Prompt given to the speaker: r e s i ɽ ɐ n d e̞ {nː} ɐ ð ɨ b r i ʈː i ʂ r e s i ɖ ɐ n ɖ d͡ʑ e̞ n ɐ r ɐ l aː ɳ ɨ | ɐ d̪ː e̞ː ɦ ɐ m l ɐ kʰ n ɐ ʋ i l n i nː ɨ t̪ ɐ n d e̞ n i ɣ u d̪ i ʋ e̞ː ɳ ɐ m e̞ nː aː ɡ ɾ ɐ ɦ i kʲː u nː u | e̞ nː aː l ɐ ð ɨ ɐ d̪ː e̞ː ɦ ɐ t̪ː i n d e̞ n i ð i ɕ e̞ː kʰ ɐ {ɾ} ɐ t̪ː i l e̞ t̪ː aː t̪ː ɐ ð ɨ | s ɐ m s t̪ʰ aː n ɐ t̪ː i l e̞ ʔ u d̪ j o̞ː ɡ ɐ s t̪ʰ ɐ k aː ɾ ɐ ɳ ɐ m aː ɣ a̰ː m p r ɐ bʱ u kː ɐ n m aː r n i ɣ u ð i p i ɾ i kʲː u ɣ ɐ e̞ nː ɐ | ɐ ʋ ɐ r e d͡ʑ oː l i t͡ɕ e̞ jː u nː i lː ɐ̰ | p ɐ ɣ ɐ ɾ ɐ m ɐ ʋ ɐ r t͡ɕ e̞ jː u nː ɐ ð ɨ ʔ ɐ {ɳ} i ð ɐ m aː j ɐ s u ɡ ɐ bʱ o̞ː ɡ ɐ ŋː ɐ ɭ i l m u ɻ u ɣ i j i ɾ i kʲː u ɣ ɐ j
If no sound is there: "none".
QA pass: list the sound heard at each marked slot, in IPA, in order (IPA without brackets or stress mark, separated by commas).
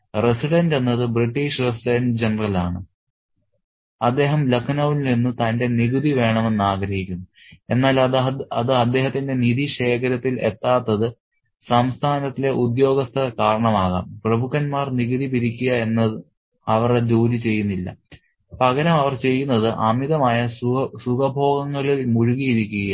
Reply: nː, ɾ, m